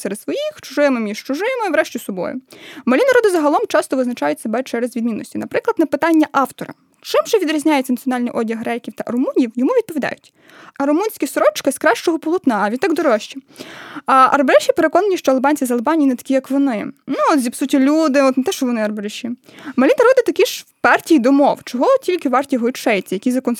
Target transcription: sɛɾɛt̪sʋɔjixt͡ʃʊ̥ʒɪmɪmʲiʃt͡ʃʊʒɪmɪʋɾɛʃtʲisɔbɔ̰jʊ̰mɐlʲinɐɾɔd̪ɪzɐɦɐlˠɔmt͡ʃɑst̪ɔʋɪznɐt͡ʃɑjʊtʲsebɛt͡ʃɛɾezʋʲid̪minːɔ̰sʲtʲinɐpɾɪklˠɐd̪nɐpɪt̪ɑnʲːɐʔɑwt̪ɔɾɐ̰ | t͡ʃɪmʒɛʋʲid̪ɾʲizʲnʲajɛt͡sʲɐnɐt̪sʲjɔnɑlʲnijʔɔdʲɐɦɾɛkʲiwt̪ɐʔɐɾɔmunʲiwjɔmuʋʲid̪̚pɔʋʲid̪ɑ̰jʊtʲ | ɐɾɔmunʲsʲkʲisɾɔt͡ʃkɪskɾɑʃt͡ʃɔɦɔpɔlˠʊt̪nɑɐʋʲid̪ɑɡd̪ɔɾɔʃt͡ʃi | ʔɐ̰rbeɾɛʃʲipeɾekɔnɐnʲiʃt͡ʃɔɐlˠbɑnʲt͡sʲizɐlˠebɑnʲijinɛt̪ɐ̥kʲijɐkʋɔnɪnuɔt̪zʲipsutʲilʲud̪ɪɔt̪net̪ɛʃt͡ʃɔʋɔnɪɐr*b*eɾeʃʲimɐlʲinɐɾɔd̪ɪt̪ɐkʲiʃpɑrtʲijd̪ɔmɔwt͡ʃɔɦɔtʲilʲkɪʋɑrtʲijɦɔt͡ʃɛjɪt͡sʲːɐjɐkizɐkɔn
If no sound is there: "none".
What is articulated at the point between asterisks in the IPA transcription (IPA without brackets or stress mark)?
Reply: b